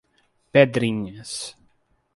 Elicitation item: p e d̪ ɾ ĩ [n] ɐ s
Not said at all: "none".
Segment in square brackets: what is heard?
ɲ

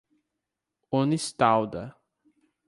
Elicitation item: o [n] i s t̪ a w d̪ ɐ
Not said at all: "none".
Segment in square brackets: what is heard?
n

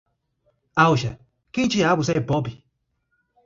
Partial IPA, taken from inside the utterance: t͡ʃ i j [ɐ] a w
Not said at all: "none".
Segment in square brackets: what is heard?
a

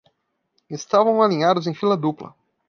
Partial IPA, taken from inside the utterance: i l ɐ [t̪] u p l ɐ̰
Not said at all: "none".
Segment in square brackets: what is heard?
d̪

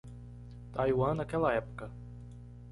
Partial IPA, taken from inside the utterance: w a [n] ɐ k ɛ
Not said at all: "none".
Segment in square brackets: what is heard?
n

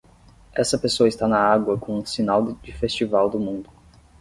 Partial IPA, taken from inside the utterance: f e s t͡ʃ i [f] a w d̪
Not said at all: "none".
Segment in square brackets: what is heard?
v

